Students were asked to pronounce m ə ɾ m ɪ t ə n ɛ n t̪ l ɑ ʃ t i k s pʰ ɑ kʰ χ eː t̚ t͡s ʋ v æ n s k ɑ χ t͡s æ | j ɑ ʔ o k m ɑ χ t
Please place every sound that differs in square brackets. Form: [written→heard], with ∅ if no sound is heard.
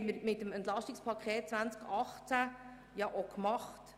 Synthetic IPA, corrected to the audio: m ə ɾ m ɪ t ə [n→m] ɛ n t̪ l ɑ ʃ t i k s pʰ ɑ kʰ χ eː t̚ t͡s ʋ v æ n [s→t͡s] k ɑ χ t͡s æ | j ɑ ʔ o k m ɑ χ t